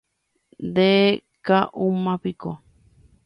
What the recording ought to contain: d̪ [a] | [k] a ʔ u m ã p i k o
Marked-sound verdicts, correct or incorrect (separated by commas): incorrect, correct